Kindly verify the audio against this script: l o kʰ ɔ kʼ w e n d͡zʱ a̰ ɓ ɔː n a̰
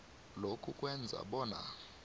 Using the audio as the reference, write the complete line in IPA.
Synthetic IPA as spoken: l o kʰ u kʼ w ɛ n d͡zʱ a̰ ɓ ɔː n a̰